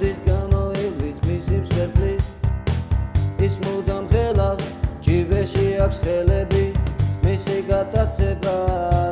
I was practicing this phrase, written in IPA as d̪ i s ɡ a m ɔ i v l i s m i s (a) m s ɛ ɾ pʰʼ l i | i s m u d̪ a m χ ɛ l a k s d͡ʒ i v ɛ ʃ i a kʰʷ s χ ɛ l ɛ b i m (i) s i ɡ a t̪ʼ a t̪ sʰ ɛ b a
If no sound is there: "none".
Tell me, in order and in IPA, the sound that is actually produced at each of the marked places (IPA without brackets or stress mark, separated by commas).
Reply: i, i